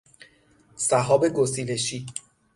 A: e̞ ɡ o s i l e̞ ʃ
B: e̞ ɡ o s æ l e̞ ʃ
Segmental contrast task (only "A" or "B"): A